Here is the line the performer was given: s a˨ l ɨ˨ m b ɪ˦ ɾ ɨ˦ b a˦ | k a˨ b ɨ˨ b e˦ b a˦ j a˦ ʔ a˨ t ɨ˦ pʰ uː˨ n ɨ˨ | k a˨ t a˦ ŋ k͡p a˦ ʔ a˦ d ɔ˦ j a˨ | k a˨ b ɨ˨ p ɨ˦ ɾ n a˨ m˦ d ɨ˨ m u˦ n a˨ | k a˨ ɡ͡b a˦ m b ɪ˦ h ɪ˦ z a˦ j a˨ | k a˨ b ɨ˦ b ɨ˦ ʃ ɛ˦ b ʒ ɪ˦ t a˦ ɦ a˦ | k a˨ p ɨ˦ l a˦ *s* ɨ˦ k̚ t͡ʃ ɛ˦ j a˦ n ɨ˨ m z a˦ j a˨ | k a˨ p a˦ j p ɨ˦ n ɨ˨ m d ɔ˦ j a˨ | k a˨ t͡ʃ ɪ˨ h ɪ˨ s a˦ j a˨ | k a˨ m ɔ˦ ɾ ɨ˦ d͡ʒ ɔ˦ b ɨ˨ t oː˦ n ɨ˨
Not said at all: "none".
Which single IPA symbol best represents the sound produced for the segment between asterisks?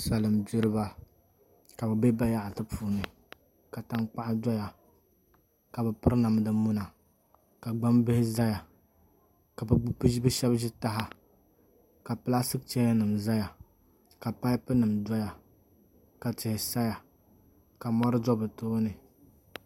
s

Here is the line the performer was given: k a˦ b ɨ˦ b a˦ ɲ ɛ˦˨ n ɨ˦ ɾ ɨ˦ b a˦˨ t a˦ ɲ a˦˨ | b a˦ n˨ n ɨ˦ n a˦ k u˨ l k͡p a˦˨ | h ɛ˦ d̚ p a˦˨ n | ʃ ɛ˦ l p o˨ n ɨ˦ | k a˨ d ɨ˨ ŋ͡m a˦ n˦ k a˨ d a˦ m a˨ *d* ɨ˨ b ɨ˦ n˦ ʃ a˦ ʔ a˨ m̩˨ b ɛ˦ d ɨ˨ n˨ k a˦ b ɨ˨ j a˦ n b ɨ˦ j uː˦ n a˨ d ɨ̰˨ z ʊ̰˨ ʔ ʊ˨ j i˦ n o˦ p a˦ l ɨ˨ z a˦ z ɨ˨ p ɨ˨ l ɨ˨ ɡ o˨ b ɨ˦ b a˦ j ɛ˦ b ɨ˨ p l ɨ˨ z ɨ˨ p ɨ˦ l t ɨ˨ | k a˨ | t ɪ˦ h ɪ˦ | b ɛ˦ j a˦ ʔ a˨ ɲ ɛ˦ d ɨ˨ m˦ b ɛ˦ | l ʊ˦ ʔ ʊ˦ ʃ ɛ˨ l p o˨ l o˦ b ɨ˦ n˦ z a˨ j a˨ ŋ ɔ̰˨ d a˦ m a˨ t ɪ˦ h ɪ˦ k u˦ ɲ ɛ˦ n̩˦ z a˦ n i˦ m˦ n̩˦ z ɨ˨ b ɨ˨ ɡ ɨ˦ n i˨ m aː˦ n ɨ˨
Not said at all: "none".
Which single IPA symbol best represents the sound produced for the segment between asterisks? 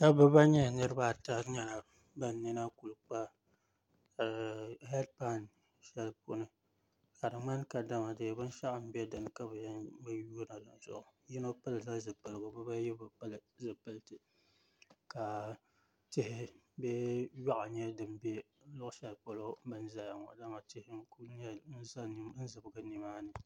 d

